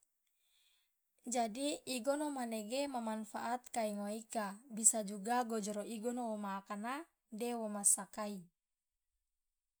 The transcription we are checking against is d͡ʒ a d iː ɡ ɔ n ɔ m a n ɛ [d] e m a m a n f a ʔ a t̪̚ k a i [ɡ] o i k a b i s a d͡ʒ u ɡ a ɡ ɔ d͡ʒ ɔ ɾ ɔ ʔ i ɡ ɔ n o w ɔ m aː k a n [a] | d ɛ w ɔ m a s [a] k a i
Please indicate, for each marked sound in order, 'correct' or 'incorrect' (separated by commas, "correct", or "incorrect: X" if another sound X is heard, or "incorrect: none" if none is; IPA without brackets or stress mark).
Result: incorrect: ɡ, incorrect: ŋ, correct, correct